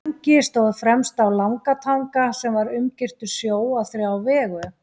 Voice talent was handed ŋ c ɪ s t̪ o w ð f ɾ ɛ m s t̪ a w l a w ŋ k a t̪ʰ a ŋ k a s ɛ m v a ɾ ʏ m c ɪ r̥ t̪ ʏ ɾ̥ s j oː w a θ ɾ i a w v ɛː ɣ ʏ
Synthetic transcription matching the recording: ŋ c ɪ s t̪ o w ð f ɾ ɛ m s t̪ a w l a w ŋ k a t̪ʰ a ŋ k a s ɛ m v a ɾ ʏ m c ɪ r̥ t̪ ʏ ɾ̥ s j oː w a θ ɾ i a w v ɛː ɣ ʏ